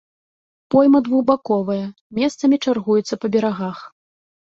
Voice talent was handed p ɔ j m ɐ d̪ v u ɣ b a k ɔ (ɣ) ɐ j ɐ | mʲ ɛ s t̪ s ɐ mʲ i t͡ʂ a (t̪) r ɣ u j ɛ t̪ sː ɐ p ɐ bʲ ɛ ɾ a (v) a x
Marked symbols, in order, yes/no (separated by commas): no, no, no